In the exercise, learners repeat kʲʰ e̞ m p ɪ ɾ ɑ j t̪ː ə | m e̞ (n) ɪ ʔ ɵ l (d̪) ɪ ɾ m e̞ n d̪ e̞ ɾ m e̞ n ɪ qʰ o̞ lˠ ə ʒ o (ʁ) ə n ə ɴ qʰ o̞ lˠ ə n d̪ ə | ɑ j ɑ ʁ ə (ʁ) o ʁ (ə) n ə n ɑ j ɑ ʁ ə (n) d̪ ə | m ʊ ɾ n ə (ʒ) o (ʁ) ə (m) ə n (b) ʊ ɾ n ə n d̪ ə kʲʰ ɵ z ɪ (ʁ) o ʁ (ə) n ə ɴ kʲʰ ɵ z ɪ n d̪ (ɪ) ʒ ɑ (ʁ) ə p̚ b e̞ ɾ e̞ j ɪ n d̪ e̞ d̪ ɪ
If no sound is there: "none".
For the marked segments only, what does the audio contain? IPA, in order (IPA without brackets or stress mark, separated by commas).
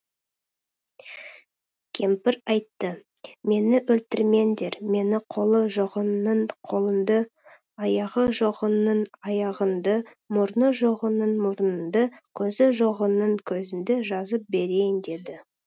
n, t̪, ʁ, ʒ, ə, n, ʒ, ʁ, n, m, ʒ, ə, ɪ, z